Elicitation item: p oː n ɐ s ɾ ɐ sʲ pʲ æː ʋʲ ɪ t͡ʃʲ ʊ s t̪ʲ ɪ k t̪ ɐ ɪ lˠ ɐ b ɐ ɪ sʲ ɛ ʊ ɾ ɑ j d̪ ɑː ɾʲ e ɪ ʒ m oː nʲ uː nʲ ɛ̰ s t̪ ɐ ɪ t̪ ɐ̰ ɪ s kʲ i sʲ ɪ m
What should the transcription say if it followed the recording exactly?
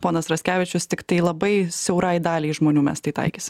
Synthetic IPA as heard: p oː n ɐ s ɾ ɐ sʲ kʲ æː ʋʲ ɪ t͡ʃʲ ʊ s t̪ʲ ɪ k t̪ ɐ ɪ lˠ ɐ b ɐ ɪ sʲ ɛ ʊ ɾ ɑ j d̪ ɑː lʲ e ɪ ʒ m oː nʲ uː mʲ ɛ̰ s t̪ ɐ ɪ t̪ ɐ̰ ɪ kʲ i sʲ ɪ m